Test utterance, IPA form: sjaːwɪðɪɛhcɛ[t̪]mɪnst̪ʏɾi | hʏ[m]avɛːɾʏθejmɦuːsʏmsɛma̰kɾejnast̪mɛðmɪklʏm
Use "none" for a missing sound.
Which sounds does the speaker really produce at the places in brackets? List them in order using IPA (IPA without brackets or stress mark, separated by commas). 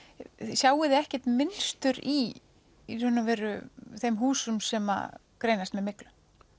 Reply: t̪, n